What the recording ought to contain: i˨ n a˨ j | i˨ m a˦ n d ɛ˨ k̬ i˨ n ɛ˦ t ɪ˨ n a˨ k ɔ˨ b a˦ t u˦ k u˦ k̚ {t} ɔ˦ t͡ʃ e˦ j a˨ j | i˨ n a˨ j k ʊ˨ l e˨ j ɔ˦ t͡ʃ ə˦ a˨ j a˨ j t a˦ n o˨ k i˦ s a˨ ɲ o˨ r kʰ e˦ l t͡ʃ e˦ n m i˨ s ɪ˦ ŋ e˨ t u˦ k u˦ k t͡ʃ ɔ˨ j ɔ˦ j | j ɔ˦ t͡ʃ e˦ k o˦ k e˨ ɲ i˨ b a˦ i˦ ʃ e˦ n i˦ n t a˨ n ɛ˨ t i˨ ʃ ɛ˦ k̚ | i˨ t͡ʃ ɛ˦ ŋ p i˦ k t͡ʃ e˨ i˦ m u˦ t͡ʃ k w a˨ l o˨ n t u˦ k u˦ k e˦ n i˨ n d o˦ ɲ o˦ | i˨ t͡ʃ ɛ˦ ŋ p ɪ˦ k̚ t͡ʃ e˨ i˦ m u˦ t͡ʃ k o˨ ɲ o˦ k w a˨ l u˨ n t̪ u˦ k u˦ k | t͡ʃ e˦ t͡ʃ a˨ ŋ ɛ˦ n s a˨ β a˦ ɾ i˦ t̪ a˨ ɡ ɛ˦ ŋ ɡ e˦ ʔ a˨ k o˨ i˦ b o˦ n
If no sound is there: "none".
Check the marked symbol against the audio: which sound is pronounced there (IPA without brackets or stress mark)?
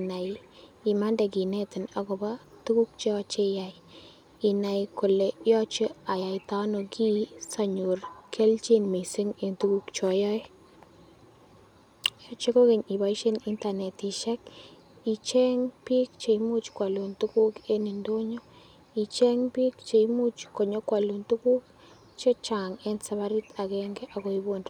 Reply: t͡ʃ